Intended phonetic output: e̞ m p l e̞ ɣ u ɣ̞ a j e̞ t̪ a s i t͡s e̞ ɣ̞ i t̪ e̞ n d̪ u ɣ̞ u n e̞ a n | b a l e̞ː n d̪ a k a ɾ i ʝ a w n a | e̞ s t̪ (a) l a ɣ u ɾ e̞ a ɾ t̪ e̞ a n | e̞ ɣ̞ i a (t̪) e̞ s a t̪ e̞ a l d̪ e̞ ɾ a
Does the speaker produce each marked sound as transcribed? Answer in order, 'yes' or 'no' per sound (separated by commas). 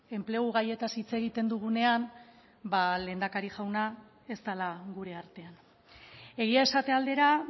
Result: yes, no